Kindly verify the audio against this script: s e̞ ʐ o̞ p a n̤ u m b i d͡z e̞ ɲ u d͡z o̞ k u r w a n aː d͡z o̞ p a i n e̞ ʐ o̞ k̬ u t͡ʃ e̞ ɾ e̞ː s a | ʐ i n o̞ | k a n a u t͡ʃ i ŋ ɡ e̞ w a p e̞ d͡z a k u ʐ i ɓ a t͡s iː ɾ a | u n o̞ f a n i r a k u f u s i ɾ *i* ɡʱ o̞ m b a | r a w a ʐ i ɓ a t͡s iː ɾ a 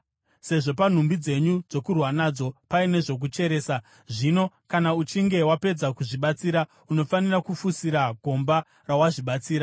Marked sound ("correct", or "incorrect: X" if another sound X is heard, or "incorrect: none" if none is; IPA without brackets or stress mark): incorrect: a